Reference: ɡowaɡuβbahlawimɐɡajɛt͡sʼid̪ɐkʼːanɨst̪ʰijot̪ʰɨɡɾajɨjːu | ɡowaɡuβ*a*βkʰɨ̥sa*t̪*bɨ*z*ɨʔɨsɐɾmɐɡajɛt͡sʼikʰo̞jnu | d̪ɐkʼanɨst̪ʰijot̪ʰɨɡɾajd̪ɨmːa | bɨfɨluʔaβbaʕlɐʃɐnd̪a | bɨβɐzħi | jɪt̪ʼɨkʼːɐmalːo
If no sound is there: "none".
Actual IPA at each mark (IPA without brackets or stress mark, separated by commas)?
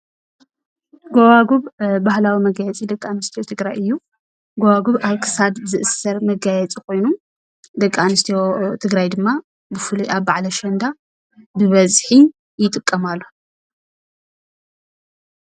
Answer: a, d̪, z